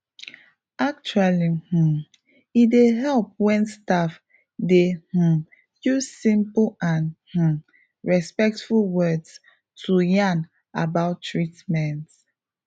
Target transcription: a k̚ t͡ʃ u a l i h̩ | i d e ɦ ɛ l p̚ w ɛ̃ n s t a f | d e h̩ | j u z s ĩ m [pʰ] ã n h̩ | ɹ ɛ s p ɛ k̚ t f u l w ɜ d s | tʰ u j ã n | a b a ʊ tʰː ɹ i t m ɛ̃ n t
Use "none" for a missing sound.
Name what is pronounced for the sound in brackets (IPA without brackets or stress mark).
p